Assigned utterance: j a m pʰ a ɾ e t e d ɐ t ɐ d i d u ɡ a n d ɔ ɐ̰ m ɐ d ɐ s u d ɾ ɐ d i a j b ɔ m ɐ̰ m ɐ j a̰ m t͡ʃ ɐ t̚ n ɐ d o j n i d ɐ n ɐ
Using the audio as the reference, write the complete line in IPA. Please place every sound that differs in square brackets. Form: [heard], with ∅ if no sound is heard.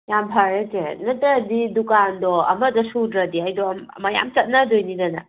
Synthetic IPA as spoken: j a m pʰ a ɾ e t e [n] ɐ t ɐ d i d u [k] a n d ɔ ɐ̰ m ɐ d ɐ s u d ɾ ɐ d i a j [d] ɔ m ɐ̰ m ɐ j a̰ m t͡ʃ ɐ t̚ n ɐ d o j n i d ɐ n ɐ

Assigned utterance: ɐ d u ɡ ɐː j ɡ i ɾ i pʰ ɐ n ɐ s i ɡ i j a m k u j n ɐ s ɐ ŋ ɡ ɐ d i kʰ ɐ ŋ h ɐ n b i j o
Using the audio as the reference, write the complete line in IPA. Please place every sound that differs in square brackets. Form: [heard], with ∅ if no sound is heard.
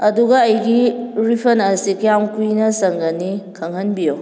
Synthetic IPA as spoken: ɐ d u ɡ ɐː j ɡ i ɾ i pʰ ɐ n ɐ s i [k] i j a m k u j n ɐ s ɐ ŋ ɡ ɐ [n] i kʰ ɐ ŋ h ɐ n b i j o

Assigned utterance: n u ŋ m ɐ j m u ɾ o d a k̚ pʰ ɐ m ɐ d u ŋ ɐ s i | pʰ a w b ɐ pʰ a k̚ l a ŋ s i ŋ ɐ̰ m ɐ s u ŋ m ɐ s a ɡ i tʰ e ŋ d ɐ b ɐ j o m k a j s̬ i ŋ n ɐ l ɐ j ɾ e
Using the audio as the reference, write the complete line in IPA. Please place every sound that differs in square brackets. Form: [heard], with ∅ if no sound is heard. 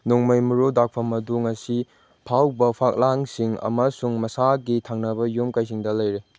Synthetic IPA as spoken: n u ŋ m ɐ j m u ɾ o d a k̚ pʰ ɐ m ɐ d u ŋ ɐ s i | pʰ a w b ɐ pʰ a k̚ l a ŋ s i ŋ ɐ̰ m ɐ s u ŋ m ɐ s a ɡ i tʰ [a] ŋ [n] ɐ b ɐ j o m k a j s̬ i ŋ [d] ɐ l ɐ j ɾ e

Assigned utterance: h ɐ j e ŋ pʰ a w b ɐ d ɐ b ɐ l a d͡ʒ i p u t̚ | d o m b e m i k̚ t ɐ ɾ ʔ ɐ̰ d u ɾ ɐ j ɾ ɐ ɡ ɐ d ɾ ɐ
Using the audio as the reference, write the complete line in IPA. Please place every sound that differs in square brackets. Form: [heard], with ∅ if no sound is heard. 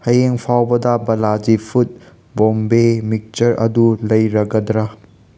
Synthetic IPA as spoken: h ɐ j e ŋ pʰ a w b ɐ d ɐ b ɐ l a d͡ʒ i [pʰ] u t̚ | [b] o m b e m i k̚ [t͡ʃ] ɐ ɾ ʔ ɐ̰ d u [l] ɐ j ɾ ɐ ɡ ɐ d ɾ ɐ

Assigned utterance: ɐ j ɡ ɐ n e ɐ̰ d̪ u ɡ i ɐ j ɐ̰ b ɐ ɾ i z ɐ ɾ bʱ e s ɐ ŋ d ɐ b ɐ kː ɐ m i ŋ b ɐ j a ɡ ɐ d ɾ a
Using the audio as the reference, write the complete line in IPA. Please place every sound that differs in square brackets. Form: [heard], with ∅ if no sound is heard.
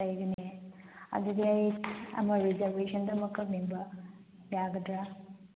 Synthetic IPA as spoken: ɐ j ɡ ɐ n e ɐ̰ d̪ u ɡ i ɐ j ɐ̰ [m] ɐ ɾ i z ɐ ɾ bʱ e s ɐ [n] d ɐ [m] ɐ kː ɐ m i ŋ b ɐ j a ɡ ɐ d ɾ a

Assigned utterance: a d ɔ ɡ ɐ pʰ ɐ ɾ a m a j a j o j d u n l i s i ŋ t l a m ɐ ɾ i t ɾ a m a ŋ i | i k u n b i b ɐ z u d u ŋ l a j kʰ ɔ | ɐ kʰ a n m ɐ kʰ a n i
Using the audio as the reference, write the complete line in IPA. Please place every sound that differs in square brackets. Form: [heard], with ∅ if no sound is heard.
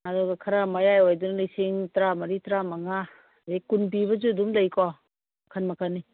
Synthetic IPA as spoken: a d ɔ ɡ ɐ [kʰ] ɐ ɾ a m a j a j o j d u n l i s i ŋ t [ɾ] a m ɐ ɾ i t ɾ a m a ŋ [a] | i k u n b i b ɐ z u d u [m] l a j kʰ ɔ | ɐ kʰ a n m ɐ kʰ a n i

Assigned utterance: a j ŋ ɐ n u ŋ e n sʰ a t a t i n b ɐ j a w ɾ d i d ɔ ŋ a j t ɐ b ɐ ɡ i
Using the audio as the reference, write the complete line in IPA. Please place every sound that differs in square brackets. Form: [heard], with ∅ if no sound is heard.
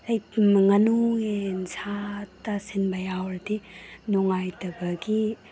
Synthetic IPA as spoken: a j ŋ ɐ n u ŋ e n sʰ a t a [s] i n b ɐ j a w ɾ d i [n] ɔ ŋ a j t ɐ b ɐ ɡ i

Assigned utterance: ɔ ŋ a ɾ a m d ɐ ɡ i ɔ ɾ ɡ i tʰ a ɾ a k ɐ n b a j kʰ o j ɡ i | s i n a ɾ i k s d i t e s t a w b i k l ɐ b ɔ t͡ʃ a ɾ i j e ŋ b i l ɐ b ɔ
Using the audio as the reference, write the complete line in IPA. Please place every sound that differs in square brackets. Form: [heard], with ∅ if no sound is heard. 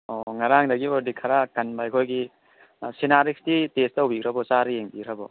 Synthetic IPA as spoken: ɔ ŋ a ɾ a [ŋ] d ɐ ɡ i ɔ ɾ [d] i [kʰ] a ɾ a k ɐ n b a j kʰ o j ɡ i | s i n a ɾ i k s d i t e s t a w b i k [ɾ] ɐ b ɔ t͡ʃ a ɾ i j e ŋ b i [ɾ] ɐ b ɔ

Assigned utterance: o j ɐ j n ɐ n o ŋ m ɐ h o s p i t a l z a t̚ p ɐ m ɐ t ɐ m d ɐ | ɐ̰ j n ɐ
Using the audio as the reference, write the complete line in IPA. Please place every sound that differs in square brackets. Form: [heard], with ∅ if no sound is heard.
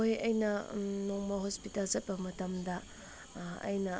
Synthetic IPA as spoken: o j ɐ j n ɐ n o ŋ m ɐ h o s p i t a l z [ɐ] t̚ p ɐ m ɐ t ɐ m d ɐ | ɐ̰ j n ɐ

